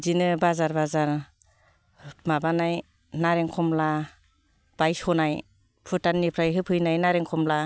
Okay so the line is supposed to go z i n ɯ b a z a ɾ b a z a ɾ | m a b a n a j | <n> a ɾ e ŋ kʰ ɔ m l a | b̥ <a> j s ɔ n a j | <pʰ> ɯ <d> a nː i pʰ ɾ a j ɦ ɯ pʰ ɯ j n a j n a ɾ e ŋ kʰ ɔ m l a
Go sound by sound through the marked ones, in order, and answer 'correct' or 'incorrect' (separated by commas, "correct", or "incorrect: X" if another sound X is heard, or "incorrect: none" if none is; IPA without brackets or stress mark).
correct, correct, correct, incorrect: t